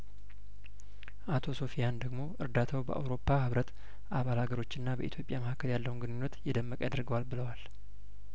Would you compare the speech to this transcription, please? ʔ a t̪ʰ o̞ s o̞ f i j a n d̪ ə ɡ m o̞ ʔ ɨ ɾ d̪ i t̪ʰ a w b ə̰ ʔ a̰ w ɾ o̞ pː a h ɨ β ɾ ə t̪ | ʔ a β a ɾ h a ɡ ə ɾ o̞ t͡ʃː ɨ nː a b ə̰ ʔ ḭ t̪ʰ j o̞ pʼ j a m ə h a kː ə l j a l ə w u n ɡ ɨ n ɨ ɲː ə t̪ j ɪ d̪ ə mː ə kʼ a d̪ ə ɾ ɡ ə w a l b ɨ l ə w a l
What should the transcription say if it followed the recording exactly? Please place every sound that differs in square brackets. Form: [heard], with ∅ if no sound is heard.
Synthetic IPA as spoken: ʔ a t̪ʰ o̞ s o̞ f i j a n d̪ ə ɡ m o̞ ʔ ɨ ɾ d̪ [a] t̪ʰ a w b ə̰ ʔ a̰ w ɾ o̞ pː a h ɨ β ɾ ə t̪ | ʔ a β a [l] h a ɡ ə ɾ o̞ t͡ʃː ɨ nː a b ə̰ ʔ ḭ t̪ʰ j o̞ pʼ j a m ə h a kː ə l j a [lː] ə w u n ɡ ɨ n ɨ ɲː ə t̪ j ɪ d̪ ə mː ə kʼ a d̪ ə ɾ ɡ ə w a l b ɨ l ə w a l